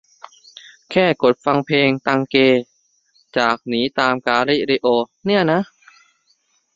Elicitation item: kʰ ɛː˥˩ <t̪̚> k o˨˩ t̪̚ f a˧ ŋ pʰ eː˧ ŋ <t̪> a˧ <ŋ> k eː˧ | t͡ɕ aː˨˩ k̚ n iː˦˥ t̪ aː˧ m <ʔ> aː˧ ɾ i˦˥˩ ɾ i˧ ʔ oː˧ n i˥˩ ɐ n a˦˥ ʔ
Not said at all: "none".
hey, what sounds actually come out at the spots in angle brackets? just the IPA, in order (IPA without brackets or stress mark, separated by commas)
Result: none, t̪, ŋ, k